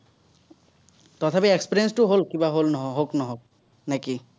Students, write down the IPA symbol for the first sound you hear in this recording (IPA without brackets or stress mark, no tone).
t̪